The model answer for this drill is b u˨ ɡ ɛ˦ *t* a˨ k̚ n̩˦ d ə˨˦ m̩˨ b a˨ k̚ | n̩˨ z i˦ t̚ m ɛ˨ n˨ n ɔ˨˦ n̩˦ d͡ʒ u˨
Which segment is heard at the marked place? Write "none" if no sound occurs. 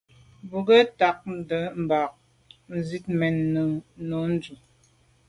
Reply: t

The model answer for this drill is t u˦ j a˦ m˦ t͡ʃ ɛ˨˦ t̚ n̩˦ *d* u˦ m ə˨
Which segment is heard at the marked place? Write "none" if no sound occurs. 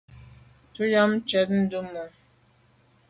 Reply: d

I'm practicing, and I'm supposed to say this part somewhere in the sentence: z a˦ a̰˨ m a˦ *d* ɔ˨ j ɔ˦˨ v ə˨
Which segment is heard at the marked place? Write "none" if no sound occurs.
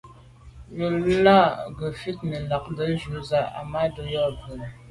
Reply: d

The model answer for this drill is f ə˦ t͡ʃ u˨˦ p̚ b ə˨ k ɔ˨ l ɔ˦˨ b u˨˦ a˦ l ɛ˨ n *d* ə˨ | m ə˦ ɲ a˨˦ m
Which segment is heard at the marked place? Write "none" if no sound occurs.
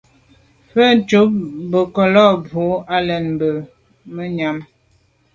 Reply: b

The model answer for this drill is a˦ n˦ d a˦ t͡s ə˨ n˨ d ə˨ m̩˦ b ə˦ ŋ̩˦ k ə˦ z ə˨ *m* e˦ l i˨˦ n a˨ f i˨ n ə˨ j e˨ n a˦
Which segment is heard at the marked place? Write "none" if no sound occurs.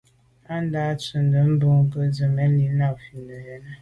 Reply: m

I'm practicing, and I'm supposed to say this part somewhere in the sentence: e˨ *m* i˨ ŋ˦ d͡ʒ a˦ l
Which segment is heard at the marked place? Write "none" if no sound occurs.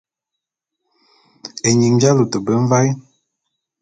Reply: ɲ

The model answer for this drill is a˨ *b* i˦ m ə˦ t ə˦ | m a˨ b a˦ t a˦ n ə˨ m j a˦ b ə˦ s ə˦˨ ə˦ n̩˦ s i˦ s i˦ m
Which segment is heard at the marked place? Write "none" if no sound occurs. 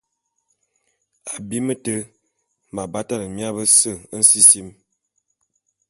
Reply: b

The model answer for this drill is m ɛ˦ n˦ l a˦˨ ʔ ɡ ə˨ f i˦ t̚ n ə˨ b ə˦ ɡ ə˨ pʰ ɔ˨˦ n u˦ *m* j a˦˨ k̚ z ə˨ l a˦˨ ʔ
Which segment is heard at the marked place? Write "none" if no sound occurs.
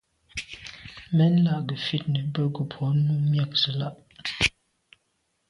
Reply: m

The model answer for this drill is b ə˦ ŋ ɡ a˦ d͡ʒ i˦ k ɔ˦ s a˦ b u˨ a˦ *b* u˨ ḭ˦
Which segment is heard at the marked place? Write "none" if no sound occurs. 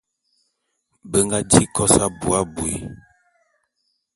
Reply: b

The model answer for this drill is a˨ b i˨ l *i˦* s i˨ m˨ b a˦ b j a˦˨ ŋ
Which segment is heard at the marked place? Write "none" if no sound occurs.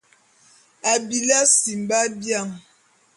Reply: a˦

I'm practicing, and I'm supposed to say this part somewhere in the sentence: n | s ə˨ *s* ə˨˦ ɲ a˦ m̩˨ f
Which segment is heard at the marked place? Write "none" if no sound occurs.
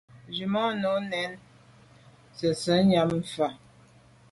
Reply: s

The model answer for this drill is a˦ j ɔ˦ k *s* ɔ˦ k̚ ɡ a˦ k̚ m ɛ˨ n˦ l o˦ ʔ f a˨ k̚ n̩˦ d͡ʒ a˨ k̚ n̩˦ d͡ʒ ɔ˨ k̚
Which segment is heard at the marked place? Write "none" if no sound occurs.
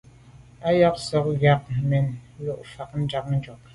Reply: s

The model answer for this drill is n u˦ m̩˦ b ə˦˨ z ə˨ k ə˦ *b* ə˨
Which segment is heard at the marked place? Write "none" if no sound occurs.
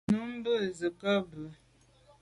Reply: b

